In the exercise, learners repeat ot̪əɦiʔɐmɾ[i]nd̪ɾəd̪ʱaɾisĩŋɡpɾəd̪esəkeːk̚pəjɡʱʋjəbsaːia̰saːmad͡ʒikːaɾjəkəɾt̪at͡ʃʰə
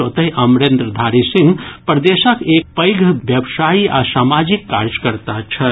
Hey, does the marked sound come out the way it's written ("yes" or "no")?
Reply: no